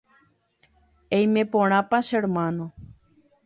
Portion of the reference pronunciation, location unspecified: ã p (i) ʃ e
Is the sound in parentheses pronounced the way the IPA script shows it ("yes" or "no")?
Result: no